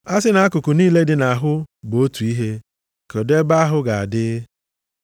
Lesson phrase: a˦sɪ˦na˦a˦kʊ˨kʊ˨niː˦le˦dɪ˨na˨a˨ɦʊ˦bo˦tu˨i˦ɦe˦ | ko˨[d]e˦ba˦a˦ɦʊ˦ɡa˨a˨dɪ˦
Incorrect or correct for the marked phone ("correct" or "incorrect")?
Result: correct